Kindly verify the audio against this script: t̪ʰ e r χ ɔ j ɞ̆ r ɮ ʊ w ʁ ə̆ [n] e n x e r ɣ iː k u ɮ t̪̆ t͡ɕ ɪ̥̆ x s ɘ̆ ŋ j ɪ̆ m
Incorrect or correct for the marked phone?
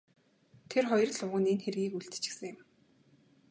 correct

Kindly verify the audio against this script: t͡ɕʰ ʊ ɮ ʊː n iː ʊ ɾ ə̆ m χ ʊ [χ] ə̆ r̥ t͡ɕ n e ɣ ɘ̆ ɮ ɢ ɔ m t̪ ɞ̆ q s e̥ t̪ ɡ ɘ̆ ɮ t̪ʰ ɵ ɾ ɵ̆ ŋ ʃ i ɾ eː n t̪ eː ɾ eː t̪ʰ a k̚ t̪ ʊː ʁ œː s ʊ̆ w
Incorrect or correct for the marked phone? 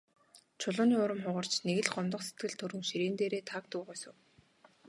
incorrect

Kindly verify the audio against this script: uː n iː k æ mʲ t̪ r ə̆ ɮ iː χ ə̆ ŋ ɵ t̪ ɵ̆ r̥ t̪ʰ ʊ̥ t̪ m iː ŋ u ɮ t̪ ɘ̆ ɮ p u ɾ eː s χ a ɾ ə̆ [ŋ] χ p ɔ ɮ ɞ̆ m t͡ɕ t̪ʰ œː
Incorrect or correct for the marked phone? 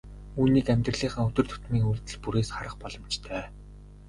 incorrect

